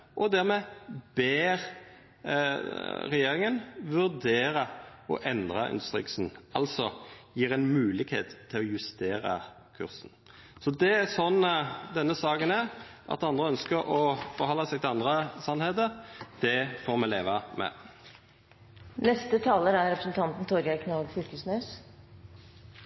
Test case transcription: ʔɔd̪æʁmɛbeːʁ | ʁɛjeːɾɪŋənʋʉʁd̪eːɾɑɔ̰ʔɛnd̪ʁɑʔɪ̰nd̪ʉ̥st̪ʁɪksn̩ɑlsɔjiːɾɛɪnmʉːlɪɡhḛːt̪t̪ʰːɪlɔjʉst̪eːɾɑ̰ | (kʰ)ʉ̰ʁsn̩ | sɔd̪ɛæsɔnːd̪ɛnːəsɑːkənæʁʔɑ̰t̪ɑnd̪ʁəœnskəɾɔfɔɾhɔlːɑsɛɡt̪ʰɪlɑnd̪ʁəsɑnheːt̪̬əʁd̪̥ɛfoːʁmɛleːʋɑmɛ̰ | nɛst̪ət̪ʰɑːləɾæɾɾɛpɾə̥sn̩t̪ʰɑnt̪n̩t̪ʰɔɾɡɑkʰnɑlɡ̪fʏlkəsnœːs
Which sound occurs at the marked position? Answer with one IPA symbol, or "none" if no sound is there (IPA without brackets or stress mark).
kʰ